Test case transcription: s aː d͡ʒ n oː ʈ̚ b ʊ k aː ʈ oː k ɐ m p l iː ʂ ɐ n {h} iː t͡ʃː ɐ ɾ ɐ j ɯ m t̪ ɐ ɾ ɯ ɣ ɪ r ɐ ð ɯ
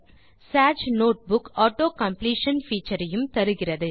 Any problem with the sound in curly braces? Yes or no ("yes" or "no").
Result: yes